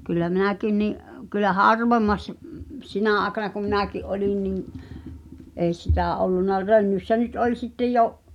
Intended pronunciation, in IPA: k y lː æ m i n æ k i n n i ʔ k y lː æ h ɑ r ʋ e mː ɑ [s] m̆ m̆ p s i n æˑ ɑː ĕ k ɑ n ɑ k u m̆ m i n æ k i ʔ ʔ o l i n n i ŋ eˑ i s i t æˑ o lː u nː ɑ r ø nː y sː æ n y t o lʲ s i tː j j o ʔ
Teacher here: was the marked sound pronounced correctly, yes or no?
yes